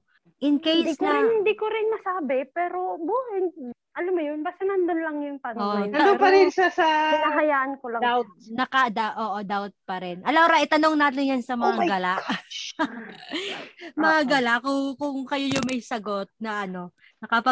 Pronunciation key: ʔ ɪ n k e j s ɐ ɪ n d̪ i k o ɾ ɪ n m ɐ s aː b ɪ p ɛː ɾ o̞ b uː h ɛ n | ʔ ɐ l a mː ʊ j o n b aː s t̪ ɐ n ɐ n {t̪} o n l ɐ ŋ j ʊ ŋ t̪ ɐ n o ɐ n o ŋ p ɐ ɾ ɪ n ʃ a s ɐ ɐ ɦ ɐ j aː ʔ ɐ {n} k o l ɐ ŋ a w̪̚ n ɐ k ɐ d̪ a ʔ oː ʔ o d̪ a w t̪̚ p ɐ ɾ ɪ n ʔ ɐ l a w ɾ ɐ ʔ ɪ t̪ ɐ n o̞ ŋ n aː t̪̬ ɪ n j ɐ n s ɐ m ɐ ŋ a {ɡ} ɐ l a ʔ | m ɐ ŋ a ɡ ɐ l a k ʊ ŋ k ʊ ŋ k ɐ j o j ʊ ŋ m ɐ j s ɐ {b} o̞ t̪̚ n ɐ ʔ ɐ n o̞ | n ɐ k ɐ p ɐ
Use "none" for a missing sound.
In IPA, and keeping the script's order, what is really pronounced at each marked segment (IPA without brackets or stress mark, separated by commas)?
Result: d̪, n, ɡ, ɡ